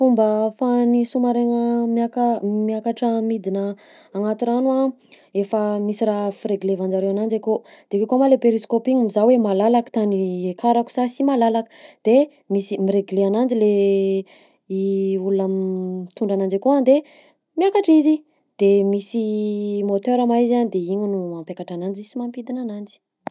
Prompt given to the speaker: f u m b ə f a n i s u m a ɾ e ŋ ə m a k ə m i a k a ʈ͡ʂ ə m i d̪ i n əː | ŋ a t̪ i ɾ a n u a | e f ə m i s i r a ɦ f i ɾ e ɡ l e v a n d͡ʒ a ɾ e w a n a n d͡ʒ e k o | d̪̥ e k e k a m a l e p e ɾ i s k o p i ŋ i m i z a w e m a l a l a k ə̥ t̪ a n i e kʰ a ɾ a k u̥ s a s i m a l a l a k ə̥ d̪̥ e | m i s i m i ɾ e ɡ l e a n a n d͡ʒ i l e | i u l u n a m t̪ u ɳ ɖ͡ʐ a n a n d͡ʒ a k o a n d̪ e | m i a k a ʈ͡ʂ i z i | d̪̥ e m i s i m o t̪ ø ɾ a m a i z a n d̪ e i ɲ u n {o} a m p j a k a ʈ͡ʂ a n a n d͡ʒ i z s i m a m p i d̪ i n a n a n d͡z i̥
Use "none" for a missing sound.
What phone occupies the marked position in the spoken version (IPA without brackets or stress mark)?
u